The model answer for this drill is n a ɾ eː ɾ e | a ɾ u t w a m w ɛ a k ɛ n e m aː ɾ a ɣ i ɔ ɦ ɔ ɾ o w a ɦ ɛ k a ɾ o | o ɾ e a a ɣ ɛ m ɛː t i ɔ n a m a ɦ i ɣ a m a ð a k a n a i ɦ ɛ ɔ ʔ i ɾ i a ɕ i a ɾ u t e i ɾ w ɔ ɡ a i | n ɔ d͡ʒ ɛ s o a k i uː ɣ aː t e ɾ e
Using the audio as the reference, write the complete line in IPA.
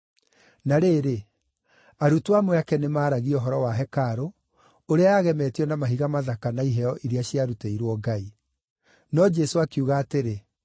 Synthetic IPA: n a ɾ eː ɾ e | a ɾ u t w a m w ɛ a k ɛ n e m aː ɾ a ɣ i ɔ ɦ ɔ ɾ ɔ w a ɦ ɛ k a ɾ o | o ɾ e a a ɣ ɛ m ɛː t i ɔ n a m a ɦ i ɣ a m a ð a k a n a i ɦ ɛ ɔ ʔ i ɾ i a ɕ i a ɾ u t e i ɾ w ɔ ɡ a i | n ɔ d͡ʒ ɛ s o a k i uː ɣ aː t e ɾ e

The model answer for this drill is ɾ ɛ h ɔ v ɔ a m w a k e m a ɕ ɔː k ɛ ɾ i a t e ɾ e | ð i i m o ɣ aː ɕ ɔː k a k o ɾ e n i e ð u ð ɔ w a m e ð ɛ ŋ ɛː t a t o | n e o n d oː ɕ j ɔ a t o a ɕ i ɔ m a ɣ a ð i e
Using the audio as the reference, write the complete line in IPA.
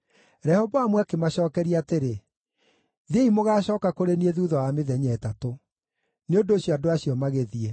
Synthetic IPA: ɾ ɛ h ɔ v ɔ a m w a k e m a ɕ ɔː k ɛ ɾ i a t e ɾ e | ð e i m o ɣ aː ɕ ɔː k a k o ɾ e n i e ð u ð ɔ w a m e ð ɛ ɲ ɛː t a t o | n e o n d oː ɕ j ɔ a d o a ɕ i ɔ m a ɣ e ð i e

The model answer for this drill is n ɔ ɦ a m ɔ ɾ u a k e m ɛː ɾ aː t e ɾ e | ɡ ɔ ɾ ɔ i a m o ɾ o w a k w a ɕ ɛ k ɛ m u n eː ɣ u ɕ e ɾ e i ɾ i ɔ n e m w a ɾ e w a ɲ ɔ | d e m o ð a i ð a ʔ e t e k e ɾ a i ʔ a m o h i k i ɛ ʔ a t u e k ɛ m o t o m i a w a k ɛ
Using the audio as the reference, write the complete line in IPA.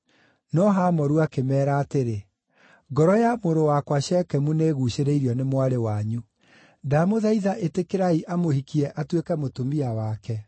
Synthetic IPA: n ɔ ɦ a m ɔ ɾ u a k e m ɛː ɾ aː t e ɾ e | ɡ ɔ ɾ ɔ j a m o ɾ o w a k w a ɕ ɛ k ɛ m u n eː ɣ u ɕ e ɾ e i ɾ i ɔ n e m w a ɾ e w a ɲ u | d a m o ð a i ð a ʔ e t e k e ɾ a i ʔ a m o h i k i ɛ ʔ a t w e k ɛ m o t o m i a w a k ɛ

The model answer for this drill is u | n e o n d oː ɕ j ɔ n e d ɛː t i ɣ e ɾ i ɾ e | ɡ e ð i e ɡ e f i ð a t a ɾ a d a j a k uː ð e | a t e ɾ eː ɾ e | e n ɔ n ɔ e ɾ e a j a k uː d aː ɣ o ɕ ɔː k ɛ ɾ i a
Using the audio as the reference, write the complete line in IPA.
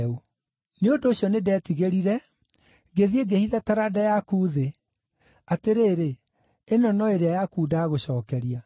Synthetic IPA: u | n e o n d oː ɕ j ɔ n e d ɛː t i ɣ e ɾ i ɾ ɛ | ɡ e ð i e ɡ e h i ð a t a ɾ a d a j a k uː ð e | a t e ɾ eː ɾ e | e n ɔ n ɔ e ɾ e a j a k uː d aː ɣ o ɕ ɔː k ɛ ɾ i a

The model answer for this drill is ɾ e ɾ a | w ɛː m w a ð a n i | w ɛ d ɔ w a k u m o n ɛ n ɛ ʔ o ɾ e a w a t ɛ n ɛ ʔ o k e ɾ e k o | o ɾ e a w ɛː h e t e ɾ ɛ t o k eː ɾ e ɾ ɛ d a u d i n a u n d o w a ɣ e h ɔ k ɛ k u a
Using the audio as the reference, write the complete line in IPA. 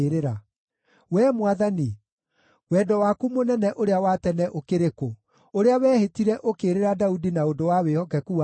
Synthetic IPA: ɾ e ɾ a | w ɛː m w a ð a n i | w ɛ d ɔ w a k u m o n ɛ n ɛ ʔ o ɾ e a w a t ɛ n ɛ ʔ o k e ɾ e k o | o ɾ e a w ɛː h e t i ɾ ɛ ʔ o k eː ɾ e ɾ a d a u d i n a o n d o w a w e h ɔ k ɛ k u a

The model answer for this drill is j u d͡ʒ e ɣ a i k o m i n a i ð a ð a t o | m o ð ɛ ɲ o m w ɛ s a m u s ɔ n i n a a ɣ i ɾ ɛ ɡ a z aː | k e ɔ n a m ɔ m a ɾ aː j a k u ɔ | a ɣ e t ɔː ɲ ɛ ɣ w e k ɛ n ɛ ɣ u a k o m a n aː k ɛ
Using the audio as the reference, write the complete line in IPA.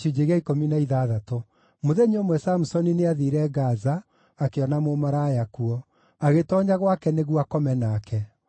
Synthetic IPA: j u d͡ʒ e ɣ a i k o m i n a i ð a ð a t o | m o ð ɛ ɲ o m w ɛ s a m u s ɔ n i n e a ð i ɾ ɛ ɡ a z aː | k e ɔ n a m o m a ɾ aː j a k u ɔ | a ɣ e t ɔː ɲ a ɣ w a k ɛ n e ɣ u a k ɔ m ɛ n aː k ɛ

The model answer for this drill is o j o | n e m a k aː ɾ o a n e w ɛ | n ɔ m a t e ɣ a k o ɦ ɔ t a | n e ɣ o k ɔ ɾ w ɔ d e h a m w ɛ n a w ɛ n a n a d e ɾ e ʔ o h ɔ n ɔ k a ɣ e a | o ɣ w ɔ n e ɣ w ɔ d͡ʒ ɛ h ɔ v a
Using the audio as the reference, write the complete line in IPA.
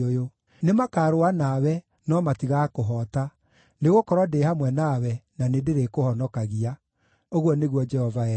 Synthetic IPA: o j o | n e m a k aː ɾ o a n a w ɛ | n ɔ m a t i ɣ a k o ɦ ɔ t a | n e ɣ o k ɔ ɾ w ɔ d e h a m w ɛ n a w ɛ n a n e d e ɾ e k o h ɔ n ɔ k a ɣ i a | o ɣ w ɔ n e ɣ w ɔ d͡ʒ ɛ h ɔ v a

